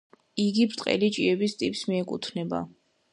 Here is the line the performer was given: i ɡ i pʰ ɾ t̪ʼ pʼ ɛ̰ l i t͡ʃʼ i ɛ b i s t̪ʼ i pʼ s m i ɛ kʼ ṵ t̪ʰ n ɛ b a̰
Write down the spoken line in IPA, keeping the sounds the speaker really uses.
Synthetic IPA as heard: i ɡ i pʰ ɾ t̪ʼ qʼ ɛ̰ l i t͡ʃʼ i ɛ b i s t̪ʼ i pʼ s m i ɛ kʼ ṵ t̪ʰ n ɛ b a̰